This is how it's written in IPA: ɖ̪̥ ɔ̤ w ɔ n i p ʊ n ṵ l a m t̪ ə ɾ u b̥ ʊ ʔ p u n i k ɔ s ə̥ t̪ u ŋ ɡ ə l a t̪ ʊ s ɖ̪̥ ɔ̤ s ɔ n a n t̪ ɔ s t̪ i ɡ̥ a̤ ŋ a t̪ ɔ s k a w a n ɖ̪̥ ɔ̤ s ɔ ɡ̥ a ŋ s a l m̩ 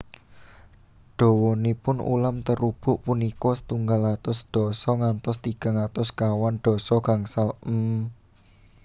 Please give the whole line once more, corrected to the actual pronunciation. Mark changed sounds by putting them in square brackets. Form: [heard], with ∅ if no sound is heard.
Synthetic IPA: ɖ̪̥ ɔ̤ w ɔ n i p ʊ n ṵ l a m t̪ ə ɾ u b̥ ʊ ʔ p u n i k ɔ s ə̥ t̪ u ŋ ɡ [a] l a t̪ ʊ s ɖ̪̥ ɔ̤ s ɔ [ŋ] a n t̪ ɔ s t̪ i ɡ̥ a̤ ŋ a t̪ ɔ s k a w a n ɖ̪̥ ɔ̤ s ɔ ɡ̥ a ŋ s a l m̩